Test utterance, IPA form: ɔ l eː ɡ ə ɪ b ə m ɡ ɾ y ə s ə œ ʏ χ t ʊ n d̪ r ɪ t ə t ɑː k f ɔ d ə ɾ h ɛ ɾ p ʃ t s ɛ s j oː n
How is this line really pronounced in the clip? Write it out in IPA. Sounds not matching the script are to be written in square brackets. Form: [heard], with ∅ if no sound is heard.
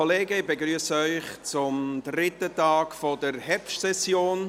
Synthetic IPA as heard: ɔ l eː ɡ ə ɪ b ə [∅] ɡ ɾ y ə s ə œ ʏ χ [t͡s] ʊ [m] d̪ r ɪ t ə t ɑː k f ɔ d ə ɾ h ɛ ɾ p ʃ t s ɛ s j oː n